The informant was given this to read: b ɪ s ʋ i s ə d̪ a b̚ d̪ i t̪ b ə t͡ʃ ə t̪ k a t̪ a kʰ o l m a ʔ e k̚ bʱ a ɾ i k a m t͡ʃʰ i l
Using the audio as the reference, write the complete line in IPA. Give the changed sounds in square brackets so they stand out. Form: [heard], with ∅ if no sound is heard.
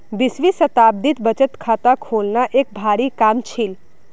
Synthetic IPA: b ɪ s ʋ i s ə [t̪] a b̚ d̪ i t̪ b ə t͡ʃ ə t̪ [kʰ] a t̪ a kʰ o l [n] a ʔ e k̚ bʱ a ɾ i k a m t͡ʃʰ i l